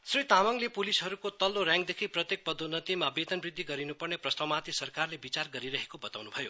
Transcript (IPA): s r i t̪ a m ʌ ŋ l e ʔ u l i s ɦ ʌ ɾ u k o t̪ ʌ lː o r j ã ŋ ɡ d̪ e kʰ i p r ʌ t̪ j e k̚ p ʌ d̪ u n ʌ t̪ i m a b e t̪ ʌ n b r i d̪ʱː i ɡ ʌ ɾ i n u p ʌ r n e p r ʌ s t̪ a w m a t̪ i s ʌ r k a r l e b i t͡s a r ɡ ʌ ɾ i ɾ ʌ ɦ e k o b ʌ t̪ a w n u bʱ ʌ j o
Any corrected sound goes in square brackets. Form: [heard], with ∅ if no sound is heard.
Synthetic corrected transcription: s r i t̪ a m ʌ ŋ l e [p] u l i s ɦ ʌ ɾ u k o t̪ ʌ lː o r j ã ŋ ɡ d̪ e kʰ i p r ʌ t̪ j e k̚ p ʌ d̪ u n ʌ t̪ i m a b e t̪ ʌ n b r i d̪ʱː i ɡ ʌ ɾ i n u p ʌ r n e p r ʌ s t̪ a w m a t̪ i s ʌ r k a r l e b i t͡s a r ɡ ʌ ɾ i ɾ ʌ ɦ e k o b ʌ t̪ a w n u bʱ ʌ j o